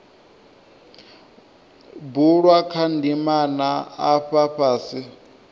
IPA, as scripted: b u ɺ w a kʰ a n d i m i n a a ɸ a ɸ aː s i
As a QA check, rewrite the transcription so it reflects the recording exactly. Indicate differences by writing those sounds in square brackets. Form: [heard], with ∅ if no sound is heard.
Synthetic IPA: b u ɺ w a kʰ a n d i m [a] n a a ɸ a ɸ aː s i